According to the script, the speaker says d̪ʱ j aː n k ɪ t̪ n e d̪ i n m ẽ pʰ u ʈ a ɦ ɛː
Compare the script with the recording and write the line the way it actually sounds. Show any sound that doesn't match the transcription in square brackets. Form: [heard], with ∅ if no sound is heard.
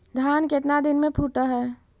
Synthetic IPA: d̪ʱ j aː n k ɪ t̪ n [a] d̪ [ɪ] n m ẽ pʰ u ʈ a ɦ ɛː